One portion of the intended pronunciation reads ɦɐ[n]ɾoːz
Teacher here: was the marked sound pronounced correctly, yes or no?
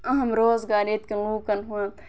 no